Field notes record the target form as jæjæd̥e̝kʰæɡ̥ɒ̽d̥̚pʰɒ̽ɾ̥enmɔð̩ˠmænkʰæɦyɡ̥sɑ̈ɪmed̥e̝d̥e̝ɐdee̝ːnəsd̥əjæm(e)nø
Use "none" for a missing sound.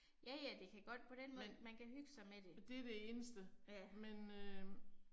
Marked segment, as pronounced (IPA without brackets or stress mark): e